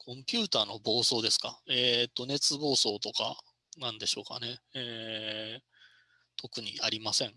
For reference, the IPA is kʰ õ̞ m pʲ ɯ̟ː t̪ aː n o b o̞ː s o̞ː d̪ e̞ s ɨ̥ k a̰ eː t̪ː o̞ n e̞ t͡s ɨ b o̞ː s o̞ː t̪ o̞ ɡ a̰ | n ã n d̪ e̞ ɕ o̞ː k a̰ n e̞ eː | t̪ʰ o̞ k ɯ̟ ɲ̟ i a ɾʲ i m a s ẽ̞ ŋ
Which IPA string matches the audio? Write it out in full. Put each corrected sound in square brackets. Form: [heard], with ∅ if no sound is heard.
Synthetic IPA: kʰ õ̞ m pʲ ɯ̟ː t̪ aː n o b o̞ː s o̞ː d̪ e̞ s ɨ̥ k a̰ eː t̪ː o̞ n e̞ t͡s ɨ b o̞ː s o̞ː t̪ o̞ [k] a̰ | n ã n d̪ e̞ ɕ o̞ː k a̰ n e̞ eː | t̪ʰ o̞ k ɯ̟ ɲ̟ i a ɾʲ i m a s ẽ̞ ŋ